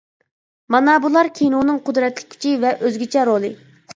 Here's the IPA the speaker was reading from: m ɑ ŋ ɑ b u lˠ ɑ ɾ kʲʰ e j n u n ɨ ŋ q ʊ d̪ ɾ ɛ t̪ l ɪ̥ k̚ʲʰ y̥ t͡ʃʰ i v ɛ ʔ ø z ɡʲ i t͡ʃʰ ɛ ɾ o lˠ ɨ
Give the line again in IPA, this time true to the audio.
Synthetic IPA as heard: m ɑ n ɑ b u lˠ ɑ ɾ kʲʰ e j n u n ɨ ŋ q ʊ d̪ ɾ ɛ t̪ l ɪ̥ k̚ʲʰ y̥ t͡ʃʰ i v ɛ ʔ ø z ɡʲ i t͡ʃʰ ɛ ɾ o lˠ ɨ

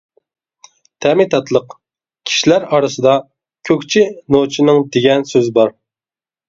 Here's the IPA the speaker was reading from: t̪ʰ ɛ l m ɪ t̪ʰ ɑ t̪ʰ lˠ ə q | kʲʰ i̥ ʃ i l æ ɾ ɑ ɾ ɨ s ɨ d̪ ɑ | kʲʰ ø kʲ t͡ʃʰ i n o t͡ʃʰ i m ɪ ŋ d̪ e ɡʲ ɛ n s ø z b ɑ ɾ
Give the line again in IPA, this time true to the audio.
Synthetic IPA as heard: t̪ʰ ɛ m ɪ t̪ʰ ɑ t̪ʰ lˠ ə q | kʲʰ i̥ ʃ i l æ ɾ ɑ ɾ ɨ s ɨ d̪ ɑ | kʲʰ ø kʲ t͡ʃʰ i n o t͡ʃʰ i n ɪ ŋ d̪ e ɡʲ ɛ n s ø z b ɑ ɾ

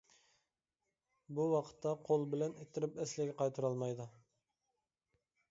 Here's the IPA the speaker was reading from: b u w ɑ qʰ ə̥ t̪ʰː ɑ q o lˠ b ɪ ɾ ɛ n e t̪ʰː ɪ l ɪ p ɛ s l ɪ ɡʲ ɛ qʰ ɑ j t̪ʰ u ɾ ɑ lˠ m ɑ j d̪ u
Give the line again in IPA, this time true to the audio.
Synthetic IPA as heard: b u w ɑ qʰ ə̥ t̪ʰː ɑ qʰ o lˠ b ɪ l ɛ n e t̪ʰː ɪ ɾ ɪ p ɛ s l ɪ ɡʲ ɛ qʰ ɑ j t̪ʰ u ɾ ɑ lˠ m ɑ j d̪ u

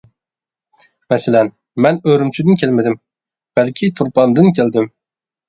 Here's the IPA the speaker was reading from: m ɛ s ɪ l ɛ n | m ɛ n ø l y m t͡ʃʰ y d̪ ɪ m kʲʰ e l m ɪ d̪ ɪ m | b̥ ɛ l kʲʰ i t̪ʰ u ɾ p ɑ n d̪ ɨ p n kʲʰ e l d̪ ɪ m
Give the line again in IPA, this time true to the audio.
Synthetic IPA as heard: m ɛ s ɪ l ɛ n | m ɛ n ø ɾ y m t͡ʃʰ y d̪ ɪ n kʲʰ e l m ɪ d̪ ɪ m | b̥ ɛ l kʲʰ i t̪ʰ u ɾ p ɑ n d̪ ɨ n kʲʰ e l d̪ ɪ m

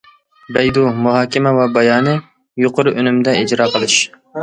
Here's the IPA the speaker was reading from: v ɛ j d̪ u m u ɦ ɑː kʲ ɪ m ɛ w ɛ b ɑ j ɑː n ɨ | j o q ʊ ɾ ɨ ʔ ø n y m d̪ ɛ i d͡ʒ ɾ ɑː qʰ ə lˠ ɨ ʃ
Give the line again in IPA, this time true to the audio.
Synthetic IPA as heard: b ɛ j d̪ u m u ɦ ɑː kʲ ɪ m ɛ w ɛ b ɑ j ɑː n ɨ | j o q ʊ ɾ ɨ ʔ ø n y m d̪ ɛ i d͡ʒ ɾ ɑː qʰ ə lˠ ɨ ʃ

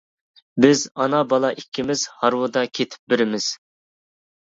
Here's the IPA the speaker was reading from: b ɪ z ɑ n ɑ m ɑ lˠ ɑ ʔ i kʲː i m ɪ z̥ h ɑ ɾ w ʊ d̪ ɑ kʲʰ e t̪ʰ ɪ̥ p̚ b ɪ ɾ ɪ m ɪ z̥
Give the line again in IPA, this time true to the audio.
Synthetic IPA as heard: b ɪ z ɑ n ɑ b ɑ lˠ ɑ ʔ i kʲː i m ɪ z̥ h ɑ ɾ w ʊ d̪ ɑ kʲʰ e t̪ʰ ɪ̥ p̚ b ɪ ɾ ɪ m ɪ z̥

